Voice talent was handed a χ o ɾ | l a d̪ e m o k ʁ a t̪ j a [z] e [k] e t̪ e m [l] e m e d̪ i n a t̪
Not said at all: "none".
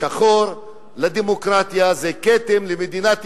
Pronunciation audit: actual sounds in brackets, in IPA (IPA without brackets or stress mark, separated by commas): z, k, l